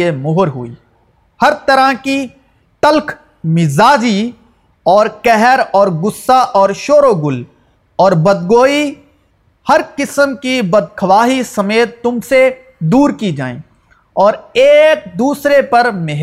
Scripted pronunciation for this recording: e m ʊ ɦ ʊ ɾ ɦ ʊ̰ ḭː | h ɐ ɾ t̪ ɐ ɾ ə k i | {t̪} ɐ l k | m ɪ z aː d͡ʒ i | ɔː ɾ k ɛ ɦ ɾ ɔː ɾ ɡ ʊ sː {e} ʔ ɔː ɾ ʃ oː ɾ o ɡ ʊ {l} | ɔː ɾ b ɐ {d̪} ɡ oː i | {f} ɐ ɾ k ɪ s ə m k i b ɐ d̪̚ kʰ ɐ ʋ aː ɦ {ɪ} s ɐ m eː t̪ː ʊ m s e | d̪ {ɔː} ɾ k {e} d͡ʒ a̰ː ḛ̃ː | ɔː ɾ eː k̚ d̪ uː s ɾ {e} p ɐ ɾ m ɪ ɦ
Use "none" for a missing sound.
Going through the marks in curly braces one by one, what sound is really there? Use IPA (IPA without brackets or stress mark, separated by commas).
t̪, a, l, d̪, h, i, uː, i, e